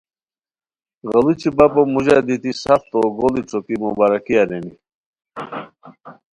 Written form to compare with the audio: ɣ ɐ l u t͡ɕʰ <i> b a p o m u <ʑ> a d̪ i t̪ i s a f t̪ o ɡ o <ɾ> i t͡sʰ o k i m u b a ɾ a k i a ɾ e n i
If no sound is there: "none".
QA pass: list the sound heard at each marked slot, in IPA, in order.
i, ʑ, l

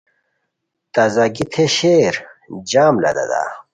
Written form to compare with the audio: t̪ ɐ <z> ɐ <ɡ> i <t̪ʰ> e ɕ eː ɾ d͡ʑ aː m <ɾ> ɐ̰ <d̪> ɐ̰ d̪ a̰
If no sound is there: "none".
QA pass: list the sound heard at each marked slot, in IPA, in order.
z, ɡ, t̪ʰ, l, d̪

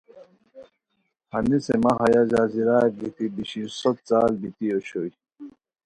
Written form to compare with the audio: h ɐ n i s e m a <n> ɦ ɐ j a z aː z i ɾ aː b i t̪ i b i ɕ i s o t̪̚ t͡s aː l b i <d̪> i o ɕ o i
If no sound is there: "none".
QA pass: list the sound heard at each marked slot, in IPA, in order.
none, t̪

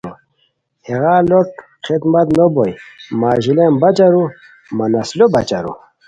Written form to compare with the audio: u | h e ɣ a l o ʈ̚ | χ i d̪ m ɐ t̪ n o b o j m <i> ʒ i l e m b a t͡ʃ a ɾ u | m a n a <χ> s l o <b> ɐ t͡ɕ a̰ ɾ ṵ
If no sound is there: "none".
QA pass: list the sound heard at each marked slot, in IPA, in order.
a, none, b

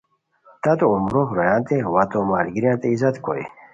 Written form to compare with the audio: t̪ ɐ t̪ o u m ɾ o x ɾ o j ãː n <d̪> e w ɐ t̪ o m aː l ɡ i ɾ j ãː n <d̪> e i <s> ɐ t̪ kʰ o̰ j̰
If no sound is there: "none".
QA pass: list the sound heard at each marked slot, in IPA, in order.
t̪, t̪, z

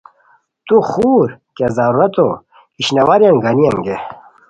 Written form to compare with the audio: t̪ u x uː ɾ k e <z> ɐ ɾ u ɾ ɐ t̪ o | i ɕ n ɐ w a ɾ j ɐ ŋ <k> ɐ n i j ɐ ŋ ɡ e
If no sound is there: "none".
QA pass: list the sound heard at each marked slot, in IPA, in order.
z, ɡ

